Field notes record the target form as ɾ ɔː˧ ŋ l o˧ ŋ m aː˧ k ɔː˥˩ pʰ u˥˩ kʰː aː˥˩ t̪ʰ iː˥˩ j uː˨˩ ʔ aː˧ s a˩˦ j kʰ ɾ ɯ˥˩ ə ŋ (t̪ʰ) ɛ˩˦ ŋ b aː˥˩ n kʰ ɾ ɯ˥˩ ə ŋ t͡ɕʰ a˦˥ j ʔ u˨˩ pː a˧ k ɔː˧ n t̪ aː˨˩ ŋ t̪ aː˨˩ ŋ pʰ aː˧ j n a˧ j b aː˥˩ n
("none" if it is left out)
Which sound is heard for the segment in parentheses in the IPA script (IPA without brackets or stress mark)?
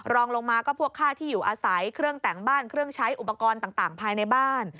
t̪